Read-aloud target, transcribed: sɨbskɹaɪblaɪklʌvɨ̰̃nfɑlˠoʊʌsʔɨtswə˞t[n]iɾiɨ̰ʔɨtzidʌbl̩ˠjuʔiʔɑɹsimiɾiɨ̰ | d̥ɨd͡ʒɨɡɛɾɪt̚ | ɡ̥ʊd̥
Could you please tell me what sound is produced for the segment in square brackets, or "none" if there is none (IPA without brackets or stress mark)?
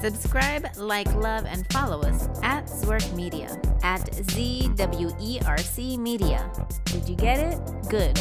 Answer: m